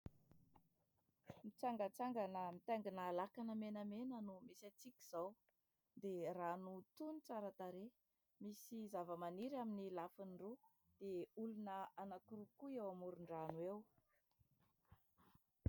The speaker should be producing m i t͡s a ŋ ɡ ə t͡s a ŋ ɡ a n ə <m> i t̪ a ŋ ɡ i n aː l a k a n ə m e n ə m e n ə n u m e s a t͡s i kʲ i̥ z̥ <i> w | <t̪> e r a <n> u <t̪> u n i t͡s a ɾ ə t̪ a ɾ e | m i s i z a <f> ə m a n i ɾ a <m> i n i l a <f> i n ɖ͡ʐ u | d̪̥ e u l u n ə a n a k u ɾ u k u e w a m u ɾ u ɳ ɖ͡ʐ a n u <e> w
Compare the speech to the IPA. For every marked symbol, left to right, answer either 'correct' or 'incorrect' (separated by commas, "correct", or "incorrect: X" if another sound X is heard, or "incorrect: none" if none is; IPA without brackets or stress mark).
correct, incorrect: a, incorrect: d̪, correct, correct, incorrect: v, correct, correct, correct